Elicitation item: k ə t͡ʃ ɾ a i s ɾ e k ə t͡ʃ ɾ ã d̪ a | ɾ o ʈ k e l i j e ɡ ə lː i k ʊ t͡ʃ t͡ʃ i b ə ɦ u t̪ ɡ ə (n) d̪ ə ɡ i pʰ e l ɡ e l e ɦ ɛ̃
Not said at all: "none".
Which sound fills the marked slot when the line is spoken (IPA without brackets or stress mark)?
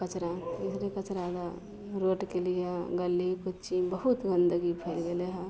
n